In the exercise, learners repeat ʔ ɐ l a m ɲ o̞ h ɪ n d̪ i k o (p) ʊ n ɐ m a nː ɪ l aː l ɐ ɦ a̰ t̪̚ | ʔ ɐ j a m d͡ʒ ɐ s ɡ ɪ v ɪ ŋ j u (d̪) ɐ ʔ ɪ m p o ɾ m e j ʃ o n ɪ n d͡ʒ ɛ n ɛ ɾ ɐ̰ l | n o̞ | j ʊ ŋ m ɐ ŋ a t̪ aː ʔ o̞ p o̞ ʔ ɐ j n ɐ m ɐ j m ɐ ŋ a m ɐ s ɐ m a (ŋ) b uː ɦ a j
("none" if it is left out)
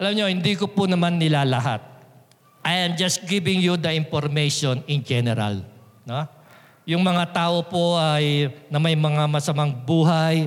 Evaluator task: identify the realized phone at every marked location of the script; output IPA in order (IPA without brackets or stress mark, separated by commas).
p, d̪, ŋ